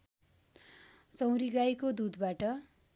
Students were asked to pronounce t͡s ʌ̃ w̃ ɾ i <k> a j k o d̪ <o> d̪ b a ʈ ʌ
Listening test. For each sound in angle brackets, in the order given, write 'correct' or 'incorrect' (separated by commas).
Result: incorrect, incorrect